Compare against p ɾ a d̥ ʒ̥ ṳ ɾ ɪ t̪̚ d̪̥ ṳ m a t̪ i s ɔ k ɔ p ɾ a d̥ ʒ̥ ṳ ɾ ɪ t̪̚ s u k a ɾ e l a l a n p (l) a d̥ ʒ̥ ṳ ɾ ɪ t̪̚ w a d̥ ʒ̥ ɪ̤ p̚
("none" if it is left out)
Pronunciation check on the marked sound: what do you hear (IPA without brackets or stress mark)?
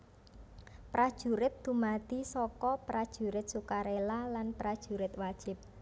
ɾ